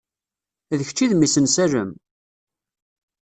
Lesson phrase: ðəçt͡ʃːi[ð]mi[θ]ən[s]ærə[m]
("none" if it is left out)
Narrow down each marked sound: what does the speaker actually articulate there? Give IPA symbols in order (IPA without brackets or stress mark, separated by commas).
ð, s, s, m